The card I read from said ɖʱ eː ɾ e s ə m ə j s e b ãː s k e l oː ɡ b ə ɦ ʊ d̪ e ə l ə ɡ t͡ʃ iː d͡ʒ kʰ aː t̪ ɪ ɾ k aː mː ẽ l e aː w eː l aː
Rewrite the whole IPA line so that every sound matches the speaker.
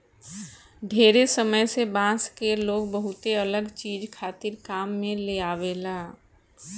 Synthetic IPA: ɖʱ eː ɾ e s ə m ə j s e b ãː s k e l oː ɡ b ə ɦ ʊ t̪ e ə l ə ɡ t͡ʃ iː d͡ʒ kʰ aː t̪ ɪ ɾ k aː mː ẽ l e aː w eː l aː